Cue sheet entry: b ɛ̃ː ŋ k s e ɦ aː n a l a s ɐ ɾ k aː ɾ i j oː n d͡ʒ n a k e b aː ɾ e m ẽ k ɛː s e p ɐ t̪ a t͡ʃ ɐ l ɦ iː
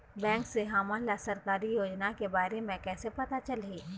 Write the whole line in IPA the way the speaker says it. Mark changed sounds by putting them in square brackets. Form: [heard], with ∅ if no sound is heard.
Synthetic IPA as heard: b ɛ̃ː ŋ k s e ɦ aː [m] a l a s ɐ ɾ k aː ɾ i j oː [∅] d͡ʒ n a k e b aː ɾ e m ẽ k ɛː s e p ɐ t̪ a t͡ʃ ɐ l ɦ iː